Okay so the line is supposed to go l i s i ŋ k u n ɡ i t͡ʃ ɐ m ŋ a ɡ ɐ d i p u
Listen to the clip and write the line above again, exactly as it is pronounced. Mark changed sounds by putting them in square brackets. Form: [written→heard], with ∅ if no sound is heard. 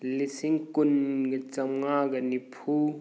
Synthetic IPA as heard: l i s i ŋ k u n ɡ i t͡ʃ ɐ m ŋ a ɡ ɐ [d→n] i [p→pʰ] u